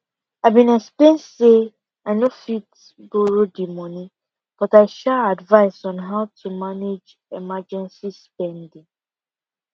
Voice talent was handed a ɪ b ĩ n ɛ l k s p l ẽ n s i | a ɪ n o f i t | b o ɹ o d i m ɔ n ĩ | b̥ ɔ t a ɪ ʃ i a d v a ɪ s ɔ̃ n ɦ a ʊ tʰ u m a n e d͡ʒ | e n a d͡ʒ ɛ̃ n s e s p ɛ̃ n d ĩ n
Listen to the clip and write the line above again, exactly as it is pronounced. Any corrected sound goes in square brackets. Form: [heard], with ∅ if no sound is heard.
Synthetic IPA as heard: a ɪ b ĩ n ɛ [∅] k s p l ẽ n s [e] | a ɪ n o f i t | b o ɹ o d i m ɔ n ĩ | b̥ ɔ t a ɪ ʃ [ɛ] a d v a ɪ s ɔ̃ n ɦ a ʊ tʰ u m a n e d͡ʒ | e [m] a d͡ʒ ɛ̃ n s [i] s p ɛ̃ n d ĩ [ŋ]

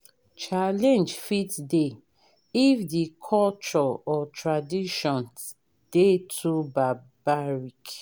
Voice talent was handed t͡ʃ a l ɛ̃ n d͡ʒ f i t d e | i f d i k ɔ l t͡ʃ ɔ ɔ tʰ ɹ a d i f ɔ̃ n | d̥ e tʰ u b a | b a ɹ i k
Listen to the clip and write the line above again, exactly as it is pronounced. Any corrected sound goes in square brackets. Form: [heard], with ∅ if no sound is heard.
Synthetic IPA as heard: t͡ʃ a l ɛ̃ n d͡ʒ f i t d e | i f d i [kʰ] ɔ l t͡ʃ ɔ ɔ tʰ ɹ a d i [ʃ] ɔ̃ n | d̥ e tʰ u b a | b a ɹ i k

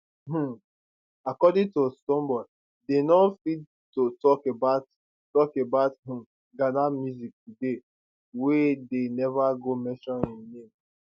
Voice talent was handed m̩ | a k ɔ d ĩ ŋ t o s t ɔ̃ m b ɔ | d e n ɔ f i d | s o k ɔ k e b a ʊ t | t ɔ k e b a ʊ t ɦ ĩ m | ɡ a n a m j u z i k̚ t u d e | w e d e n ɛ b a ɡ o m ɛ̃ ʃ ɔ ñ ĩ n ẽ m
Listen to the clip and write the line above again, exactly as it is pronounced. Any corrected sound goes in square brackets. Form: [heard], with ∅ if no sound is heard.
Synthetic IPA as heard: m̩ | a k ɔ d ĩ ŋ t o s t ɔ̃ m b ɔ | d e n ɔ f i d | [t] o [t] ɔ k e b a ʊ t | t ɔ k e b a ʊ t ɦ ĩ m | ɡ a n a m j u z i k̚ t u d e | w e d e n ɛ [v] a ɡ o m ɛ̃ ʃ ɔ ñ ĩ n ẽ m

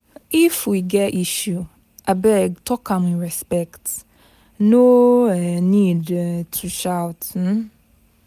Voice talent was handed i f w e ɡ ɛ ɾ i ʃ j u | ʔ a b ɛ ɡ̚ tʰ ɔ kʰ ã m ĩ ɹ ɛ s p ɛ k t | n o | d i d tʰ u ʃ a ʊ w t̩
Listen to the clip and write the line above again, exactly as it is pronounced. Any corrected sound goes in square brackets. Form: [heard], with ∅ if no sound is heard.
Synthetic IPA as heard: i f w [i] ɡ ɛ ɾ i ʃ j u | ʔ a b ɛ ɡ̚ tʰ ɔ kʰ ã m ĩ ɹ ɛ s p ɛ k t | n o | [n] i d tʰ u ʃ a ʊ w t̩

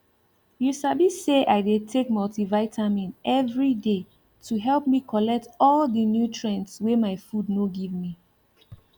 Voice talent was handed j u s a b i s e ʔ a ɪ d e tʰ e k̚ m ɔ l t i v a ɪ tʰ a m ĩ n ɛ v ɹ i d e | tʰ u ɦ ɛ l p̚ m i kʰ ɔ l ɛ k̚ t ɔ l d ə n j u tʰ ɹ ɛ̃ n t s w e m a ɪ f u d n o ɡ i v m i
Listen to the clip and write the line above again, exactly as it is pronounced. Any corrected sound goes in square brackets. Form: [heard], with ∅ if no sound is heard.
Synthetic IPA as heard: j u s a b i s e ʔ a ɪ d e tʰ e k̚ m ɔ l t i v a ɪ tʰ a m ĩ n ɛ v ɹ i d e | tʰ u ɦ ɛ l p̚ m i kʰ ɔ l ɛ k̚ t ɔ l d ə n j u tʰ ɹ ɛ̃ n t s w e m a ɪ f u d n o ɡ i v m i

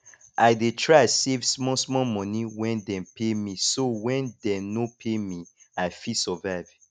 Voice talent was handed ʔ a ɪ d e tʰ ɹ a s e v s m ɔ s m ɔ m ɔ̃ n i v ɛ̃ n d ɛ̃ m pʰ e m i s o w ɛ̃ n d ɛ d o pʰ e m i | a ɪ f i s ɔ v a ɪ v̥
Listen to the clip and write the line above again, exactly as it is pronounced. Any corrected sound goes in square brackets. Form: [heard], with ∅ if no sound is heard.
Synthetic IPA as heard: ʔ a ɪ d e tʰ ɹ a s e v s m ɔ s m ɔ m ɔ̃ n i [w] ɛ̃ n d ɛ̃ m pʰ e m i s o w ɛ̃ n d ɛ [n] o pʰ e m i | a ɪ f i s ɔ v a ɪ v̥

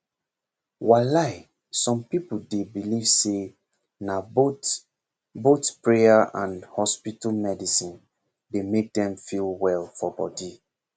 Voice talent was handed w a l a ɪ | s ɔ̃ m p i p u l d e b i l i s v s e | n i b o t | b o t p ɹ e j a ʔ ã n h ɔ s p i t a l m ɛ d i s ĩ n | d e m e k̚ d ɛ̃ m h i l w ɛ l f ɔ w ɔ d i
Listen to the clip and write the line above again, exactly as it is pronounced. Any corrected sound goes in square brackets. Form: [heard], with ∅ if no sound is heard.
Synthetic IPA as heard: w a l a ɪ | s ɔ̃ m p i p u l d e b i l i [∅] v s e | n [a] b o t | b o t p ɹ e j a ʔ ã n h ɔ s p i t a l m ɛ d i s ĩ n | d e m e k̚ d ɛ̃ m [f] i l w ɛ l f ɔ [b] ɔ d i

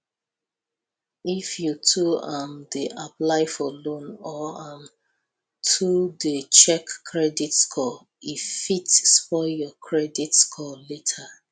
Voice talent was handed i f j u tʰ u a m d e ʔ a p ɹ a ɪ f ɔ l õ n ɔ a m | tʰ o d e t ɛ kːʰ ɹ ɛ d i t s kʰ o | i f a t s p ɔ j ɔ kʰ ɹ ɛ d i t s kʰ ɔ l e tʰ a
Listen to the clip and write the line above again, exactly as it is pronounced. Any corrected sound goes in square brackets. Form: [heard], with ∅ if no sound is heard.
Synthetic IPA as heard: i f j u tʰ u a m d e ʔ a p [l] a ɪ f ɔ l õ n ɔ a m | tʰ [u] d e [t͡ʃ] ɛ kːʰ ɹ ɛ d i t s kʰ [ɔ] | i f [i] t s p ɔ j ɔ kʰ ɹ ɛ d i t s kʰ ɔ l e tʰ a

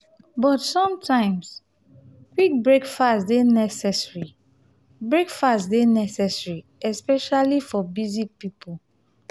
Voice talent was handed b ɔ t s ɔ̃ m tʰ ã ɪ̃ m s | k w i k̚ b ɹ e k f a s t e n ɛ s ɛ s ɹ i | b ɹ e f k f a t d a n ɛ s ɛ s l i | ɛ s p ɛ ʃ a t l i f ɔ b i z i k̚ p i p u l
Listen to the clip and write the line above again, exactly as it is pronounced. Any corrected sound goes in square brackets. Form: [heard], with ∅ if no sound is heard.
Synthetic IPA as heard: b ɔ t s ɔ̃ m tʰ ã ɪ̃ m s | k w i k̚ b ɹ e k f a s [d] e n ɛ s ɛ s ɹ i | b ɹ e [∅] k f a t d [e] n ɛ s ɛ s [ɹ] i | ɛ s p ɛ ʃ a [∅] l i f ɔ b i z i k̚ p i p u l

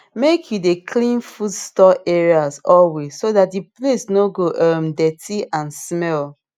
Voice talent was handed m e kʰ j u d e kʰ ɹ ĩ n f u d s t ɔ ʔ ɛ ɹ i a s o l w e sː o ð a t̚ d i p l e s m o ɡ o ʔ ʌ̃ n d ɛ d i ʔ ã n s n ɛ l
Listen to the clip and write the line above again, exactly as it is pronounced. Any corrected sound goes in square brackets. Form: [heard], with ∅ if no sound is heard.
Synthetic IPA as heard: m e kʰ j u d e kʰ [l] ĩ n f u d s t ɔ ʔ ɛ ɹ i a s [ɔ] l w e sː o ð a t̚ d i p l e s [n] o ɡ o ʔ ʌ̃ [m] d ɛ [t] i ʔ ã n s [m] ɛ l

